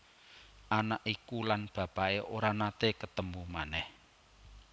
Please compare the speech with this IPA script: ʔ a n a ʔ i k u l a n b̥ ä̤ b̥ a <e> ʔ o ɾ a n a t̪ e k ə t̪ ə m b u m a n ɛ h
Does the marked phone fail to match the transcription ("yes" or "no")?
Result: no